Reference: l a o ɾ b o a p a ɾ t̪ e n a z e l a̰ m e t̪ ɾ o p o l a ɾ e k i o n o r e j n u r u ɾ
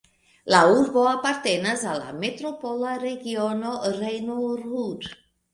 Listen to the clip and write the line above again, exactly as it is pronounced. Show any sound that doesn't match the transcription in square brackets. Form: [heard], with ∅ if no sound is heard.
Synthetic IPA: l a [u] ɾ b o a p a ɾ t̪ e n a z [a] l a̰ m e t̪ ɾ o p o l a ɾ e [ɡ] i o n o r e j n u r u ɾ

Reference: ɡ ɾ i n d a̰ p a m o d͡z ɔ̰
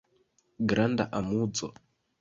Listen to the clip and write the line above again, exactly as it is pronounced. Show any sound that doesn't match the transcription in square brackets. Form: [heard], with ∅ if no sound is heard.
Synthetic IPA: ɡ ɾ [a] n d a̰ [ʔ] a m [u] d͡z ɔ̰

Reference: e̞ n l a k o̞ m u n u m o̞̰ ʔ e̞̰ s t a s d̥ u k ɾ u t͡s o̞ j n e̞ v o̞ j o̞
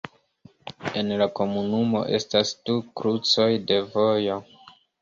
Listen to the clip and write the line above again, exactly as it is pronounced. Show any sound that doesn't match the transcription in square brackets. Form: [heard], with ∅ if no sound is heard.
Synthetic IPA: e̞ n l a k o̞ m u n u m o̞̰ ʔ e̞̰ s t a s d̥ u k ɾ u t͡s o̞ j [d] e̞ v o̞ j o̞

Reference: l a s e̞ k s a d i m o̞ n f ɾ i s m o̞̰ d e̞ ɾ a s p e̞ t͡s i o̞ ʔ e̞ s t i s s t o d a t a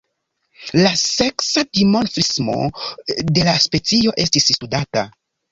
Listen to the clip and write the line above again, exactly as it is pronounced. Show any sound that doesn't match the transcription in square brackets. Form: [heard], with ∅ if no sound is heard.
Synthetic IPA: l a s e̞ k s a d i m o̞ n f ɾ i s m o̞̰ d e̞ [l] a s p e̞ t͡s i o̞ ʔ e̞ s t i s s t [u] d a t a

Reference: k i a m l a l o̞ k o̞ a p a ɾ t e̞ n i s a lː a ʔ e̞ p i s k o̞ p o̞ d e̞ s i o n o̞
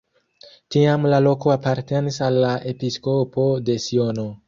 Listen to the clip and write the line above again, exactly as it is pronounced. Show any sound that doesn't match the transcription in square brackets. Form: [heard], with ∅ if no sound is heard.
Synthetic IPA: [t] i a m l a l o̞ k o̞ a p a ɾ t e̞ n i s a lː a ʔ e̞ p i s k o̞ p o̞ d e̞ s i o n o̞

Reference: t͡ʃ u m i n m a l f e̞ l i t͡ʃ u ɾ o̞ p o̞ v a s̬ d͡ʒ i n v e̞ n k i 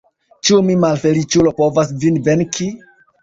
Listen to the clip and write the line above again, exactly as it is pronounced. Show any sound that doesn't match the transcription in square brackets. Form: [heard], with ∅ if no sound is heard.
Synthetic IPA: t͡ʃ u m i [∅] m a l f e̞ l i t͡ʃ u [l] o̞ p o̞ v a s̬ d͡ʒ i n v e̞ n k i

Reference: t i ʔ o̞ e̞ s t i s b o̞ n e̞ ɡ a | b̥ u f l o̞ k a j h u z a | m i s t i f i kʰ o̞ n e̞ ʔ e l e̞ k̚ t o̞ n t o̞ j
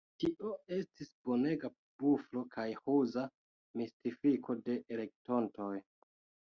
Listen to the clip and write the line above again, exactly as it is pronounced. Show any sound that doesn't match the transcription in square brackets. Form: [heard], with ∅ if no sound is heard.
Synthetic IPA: t i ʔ o̞ e̞ s t i s b o̞ n e̞ ɡ a | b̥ u f l o̞ k a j h u z a | m i s t i f i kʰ o̞ [d] e̞ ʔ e l e̞ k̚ t o̞ n t o̞ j

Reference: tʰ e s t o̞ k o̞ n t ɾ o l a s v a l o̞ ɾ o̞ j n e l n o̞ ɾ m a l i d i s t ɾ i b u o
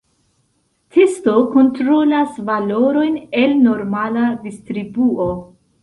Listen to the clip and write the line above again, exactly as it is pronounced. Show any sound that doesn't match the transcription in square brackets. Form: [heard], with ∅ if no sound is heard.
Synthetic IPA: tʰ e s t o̞ k o̞ n t ɾ o l a s v a l o̞ ɾ o̞ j n e l n o̞ ɾ m a l [a] d i s t ɾ i b u o

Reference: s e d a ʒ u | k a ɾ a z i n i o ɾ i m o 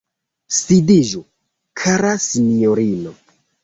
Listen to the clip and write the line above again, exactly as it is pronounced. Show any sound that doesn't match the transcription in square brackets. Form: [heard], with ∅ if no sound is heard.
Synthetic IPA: s [i] d [i] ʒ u | [kʰ] a ɾ a [s] i n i o ɾ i [n] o

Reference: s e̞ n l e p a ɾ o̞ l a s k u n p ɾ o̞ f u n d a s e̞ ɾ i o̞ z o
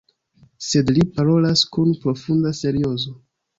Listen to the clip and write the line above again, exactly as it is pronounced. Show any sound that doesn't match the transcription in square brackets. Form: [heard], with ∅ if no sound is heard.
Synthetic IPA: s e̞ [d] l [i] p a ɾ o̞ l a s k u n p ɾ o̞ f u n d a s e̞ ɾ i o̞ z o

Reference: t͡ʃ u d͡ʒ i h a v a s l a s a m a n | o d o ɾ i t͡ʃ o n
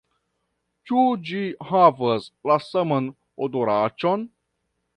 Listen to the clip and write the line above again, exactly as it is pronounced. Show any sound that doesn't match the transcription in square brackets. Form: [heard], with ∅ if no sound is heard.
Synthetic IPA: t͡ʃ u d͡ʒ i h a v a s l a s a m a n | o d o ɾ [a] t͡ʃ o n

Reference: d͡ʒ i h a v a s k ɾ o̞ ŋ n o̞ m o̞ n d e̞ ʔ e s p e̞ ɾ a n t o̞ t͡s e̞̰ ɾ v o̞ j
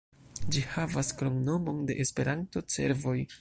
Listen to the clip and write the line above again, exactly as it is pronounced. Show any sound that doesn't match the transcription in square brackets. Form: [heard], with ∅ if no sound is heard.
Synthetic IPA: d͡ʒ i h a v a s k ɾ o̞ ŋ n o̞ m o̞ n d e̞ ʔ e s p e̞ ɾ a n t o̞ t͡s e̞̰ ɾ v o̞ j

